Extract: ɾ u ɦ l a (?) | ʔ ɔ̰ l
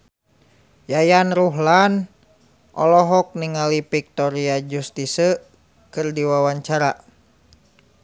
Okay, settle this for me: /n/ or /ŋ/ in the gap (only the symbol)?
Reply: n